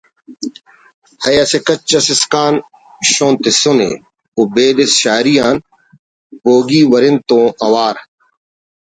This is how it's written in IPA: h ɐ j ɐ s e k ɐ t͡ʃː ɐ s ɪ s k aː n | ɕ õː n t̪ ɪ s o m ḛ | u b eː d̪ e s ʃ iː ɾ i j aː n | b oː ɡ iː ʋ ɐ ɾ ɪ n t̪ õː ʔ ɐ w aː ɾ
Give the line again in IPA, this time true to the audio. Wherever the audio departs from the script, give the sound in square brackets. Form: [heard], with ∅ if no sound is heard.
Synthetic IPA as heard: h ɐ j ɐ s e k ɐ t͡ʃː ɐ s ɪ s k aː n | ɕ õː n t̪ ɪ s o [n] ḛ | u b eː d̪ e s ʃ [aː] ɾ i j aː n | b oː ɡ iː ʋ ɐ ɾ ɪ n t̪ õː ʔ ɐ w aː ɾ